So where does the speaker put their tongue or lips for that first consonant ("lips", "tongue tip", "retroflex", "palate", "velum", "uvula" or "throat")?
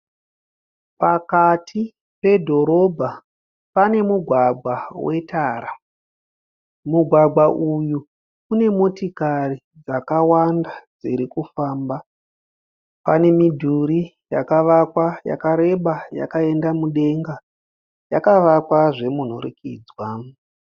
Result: lips